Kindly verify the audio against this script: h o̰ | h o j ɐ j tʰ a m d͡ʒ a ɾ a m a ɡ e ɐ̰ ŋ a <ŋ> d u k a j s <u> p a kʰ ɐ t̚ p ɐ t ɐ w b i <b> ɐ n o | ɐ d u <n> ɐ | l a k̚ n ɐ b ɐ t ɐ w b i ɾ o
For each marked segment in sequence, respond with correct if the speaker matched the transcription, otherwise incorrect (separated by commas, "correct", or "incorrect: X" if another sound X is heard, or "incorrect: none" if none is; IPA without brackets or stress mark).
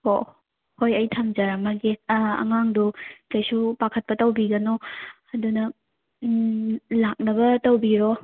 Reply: correct, correct, incorrect: ɡ, correct